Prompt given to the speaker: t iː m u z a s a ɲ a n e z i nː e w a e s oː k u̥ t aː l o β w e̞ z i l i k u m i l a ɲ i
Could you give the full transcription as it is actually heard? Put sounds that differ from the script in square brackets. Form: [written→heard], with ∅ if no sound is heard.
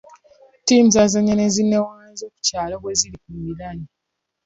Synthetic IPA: t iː m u z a [s→z] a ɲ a n e z i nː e w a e [s→z] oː k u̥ [t→c] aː l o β w e̞ z i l i k u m i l a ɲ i